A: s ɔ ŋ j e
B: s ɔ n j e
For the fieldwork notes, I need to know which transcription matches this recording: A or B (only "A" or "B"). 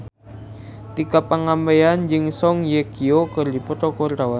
A